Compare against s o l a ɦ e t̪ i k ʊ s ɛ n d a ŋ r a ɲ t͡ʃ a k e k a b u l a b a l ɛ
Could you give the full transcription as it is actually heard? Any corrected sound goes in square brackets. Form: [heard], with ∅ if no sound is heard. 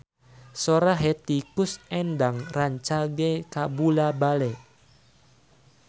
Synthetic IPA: s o [ɾ] a ɦ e t̪ i k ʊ s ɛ n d a ŋ r a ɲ t͡ʃ a [ɡ] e k a b u l a b a l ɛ

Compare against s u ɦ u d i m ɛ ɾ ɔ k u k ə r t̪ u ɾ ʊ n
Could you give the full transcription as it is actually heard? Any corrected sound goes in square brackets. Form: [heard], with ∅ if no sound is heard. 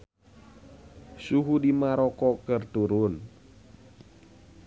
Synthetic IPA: s u ɦ u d i m [a] ɾ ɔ k [ɔ] k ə r t̪ u ɾ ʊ n

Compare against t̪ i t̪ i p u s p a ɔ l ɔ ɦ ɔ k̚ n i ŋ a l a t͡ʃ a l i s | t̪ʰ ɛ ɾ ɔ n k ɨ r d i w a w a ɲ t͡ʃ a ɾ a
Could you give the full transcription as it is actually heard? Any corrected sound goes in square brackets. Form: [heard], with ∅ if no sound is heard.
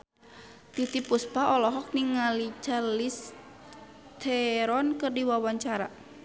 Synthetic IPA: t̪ i t̪ i p u s p a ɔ l ɔ ɦ ɔ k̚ n i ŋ a l [i] t͡ʃ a l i s | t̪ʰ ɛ ɾ ɔ n k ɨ r d i w a w a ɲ t͡ʃ a ɾ a

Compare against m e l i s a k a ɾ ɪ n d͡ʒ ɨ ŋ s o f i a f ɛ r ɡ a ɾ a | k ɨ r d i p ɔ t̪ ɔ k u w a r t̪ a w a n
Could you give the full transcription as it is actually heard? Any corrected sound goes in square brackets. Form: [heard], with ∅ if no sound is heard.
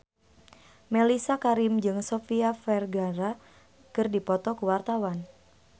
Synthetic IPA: m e l i s a k a ɾ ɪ [m] d͡ʒ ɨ ŋ s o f i a f ɛ r ɡ a ɾ a | k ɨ r d i p ɔ t̪ ɔ k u w a r t̪ a w a n

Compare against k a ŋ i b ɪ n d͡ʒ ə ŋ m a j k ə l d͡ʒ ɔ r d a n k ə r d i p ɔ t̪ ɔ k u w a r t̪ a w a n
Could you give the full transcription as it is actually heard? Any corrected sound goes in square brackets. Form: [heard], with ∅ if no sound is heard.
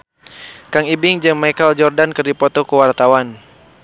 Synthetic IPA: k a ŋ i b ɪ [ŋ] d͡ʒ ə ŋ m a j k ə l d͡ʒ ɔ r d a n k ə r d i p ɔ t̪ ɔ k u w a r t̪ a w a n

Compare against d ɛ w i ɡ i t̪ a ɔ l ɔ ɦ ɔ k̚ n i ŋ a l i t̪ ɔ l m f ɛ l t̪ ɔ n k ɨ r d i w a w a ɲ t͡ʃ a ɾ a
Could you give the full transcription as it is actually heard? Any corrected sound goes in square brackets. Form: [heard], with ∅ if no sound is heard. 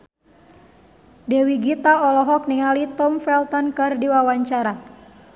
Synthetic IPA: d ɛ w i ɡ i t̪ a ɔ l ɔ ɦ ɔ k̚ n i ŋ a l i t̪ ɔ [∅] m f ɛ l t̪ ɔ n k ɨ r d i w a w a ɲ t͡ʃ a ɾ a

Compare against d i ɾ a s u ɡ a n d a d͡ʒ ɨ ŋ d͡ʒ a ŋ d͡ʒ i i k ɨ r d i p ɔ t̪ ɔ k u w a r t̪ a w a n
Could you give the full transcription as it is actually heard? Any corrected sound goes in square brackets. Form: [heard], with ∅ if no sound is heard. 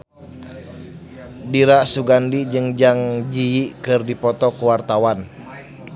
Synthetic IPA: d i ɾ a s u ɡ a n d [i] d͡ʒ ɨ ŋ d͡ʒ a ŋ d͡ʒ i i k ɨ r d i p ɔ t̪ ɔ k u w a r t̪ a w a n

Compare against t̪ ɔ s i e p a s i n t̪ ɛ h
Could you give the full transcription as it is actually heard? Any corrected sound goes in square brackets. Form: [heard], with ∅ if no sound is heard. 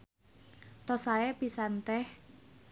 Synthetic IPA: t̪ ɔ s [a] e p [i] s [a] n t̪ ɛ h

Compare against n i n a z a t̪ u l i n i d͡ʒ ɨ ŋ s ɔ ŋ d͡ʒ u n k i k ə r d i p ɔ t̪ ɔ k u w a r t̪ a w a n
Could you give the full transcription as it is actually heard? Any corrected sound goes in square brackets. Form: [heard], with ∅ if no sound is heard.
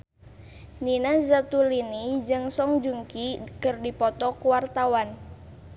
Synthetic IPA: n i n a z a t̪ u l i n i d͡ʒ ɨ ŋ s ɔ ŋ d͡ʒ u [ŋ] k i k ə r d i p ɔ t̪ ɔ k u w a r t̪ a w a n

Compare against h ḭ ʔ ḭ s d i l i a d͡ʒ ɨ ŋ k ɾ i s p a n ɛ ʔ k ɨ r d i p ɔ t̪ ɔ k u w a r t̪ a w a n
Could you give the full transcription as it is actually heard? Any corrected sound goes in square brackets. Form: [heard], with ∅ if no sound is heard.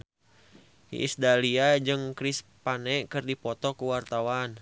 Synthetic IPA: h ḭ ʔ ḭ s d [a] l i a d͡ʒ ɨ ŋ k ɾ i s p a n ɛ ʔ k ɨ r d i p ɔ t̪ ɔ k u w a r t̪ a w a n

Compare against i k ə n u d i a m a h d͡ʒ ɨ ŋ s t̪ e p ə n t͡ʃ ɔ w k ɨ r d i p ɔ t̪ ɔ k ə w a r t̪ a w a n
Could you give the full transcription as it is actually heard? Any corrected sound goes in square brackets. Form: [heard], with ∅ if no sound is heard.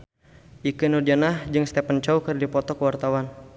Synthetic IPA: i k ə n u d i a [n] a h d͡ʒ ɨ ŋ s t̪ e p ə n t͡ʃ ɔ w k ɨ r d i p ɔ t̪ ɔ k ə w a r t̪ a w a n

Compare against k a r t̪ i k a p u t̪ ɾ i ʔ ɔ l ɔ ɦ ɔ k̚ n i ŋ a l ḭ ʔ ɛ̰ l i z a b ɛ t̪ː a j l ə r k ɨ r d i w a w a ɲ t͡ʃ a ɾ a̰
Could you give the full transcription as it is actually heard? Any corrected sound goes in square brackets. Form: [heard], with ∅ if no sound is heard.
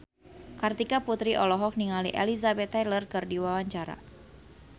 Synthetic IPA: k a r t̪ i k a p u t̪ ɾ i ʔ ɔ l ɔ ɦ ɔ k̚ n i ŋ a l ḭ ʔ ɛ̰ l i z a b ɛ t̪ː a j l ə r k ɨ r d i w a w a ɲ t͡ʃ a ɾ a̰

